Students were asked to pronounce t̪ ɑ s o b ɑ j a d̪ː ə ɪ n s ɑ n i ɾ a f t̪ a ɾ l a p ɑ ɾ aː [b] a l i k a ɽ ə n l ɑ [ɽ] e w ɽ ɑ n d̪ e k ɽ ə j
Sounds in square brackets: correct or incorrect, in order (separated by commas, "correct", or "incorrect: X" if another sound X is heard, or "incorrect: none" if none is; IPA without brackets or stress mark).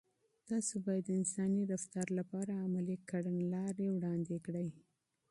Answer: incorrect: m, incorrect: ɾ